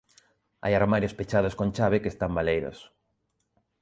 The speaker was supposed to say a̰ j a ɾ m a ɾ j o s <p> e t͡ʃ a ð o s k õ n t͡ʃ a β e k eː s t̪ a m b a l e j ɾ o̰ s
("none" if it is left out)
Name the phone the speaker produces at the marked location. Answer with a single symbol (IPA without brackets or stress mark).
p